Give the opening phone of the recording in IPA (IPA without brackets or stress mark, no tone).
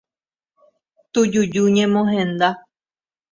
t̪